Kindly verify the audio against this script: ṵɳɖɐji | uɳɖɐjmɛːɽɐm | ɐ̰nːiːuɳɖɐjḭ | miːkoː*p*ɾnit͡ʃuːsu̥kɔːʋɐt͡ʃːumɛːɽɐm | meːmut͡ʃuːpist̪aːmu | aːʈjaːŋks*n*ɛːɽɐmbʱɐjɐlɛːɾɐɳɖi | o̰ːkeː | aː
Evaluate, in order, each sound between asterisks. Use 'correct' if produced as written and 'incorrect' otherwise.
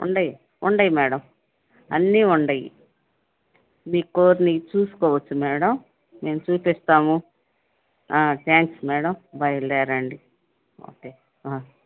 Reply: incorrect: none, incorrect: m

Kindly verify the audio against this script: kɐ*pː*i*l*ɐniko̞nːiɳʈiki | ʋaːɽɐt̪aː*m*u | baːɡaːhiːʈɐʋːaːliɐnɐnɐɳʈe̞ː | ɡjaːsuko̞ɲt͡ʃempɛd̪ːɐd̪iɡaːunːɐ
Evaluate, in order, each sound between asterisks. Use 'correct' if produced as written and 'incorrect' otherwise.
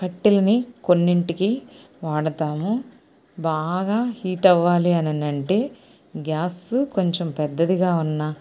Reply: incorrect: ʈː, correct, correct

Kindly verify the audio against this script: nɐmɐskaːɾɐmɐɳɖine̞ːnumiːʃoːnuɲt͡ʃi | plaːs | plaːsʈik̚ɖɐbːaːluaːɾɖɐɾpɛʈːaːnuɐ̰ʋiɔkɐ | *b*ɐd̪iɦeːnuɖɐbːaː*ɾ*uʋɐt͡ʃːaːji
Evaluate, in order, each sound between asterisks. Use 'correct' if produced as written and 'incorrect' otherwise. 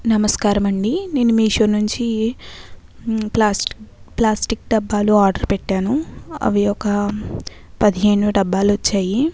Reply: incorrect: p, incorrect: l

